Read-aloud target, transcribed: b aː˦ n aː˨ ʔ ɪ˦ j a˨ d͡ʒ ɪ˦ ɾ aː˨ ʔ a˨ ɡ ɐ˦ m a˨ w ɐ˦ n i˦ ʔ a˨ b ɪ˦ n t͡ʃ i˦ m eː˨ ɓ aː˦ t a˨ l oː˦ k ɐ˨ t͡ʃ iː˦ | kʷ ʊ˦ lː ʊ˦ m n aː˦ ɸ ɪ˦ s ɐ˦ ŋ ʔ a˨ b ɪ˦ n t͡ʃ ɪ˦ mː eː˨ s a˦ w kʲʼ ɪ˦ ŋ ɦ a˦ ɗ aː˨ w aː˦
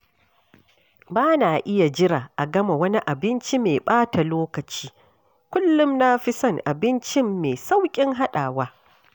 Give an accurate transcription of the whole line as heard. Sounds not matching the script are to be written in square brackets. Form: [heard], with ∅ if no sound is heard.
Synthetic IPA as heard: b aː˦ n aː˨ ʔ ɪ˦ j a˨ d͡ʒ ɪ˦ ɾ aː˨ ʔ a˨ ɡ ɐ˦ m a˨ w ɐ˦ n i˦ ʔ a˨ b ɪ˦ n t͡ʃ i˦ m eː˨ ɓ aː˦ t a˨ l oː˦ k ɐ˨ t͡ʃ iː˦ | kʷ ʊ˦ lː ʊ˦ m n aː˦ ɸ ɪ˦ s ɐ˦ ŋ ʔ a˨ b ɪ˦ n t͡ʃ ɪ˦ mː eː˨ s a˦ w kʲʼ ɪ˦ ŋ ɦ a˦ ɗ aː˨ w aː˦